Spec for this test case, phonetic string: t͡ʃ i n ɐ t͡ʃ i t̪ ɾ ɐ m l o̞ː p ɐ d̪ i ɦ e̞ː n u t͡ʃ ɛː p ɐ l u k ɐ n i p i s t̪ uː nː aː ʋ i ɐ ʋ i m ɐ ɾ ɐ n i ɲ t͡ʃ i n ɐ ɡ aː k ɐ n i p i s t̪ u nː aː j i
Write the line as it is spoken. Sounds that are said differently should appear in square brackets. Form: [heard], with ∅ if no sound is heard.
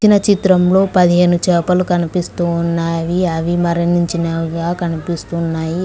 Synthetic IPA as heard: t͡ʃ i n ɐ t͡ʃ i t̪ ɾ ɐ m l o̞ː p ɐ d̪ i ɦ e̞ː n u t͡ʃ ɛː p ɐ l u k ɐ n i p i s t̪ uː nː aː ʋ i ɐ ʋ i m ɐ ɾ ɐ n i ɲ t͡ʃ i n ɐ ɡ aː k ɐ n i p i s t̪ u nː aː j i